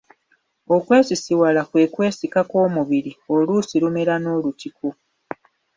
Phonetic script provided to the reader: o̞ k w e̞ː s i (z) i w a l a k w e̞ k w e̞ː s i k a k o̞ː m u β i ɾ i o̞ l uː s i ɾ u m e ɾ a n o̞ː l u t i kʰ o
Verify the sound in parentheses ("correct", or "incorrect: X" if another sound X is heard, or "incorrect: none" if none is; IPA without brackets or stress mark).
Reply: incorrect: s